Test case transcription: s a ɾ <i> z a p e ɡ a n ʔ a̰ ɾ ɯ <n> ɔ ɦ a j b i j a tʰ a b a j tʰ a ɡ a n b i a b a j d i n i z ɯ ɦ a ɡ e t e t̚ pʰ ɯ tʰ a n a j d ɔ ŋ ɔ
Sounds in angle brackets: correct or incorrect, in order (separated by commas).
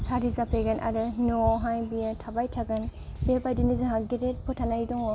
correct, correct